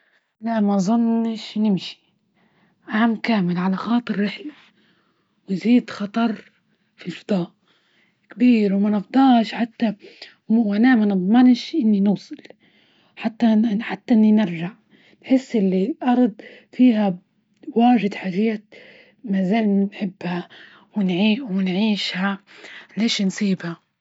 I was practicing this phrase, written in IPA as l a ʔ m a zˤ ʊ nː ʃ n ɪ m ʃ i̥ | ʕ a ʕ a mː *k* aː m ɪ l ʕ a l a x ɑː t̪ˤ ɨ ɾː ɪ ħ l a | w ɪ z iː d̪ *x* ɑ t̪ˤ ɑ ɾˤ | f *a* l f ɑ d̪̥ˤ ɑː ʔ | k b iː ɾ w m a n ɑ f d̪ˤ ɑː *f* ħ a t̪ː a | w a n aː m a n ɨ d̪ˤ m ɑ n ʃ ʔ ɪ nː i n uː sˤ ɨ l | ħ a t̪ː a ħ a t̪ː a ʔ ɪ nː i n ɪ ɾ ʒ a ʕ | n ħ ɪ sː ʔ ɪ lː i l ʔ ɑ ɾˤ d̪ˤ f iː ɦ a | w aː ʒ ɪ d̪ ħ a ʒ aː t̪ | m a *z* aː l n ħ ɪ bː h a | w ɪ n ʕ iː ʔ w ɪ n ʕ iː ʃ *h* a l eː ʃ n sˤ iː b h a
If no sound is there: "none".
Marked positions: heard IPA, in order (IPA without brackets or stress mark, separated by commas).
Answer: k, x, i, ʃ, z, h